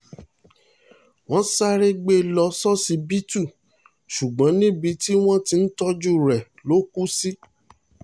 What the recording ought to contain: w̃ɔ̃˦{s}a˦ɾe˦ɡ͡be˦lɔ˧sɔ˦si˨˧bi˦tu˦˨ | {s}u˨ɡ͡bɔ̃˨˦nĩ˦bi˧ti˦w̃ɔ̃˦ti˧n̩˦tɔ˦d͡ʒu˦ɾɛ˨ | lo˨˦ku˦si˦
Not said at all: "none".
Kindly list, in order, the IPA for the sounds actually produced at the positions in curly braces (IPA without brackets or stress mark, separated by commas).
s, ʃ